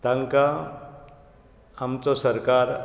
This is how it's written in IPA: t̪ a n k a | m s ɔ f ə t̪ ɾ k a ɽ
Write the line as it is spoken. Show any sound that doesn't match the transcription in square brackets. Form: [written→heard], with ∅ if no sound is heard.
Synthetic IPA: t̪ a [n→ŋ] k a | m [s→t͡s] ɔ [f→s] ə [t̪→∅] ɾ k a [ɽ→ɾ]